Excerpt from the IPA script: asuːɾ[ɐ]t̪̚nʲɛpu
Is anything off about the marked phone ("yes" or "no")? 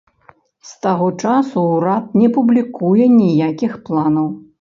yes